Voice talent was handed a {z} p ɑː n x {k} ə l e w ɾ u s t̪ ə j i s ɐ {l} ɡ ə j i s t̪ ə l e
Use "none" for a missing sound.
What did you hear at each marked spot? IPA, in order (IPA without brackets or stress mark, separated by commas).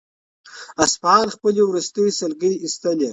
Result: s, p, l